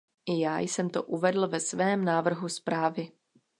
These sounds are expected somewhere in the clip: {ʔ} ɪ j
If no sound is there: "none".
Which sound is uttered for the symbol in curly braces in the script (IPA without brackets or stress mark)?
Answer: ʔ